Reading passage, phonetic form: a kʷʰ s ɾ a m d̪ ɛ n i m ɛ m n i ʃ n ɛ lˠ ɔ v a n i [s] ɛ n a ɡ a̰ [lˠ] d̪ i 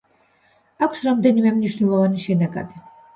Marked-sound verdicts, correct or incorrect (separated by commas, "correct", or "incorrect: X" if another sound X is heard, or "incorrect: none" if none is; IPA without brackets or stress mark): incorrect: ʃ, incorrect: none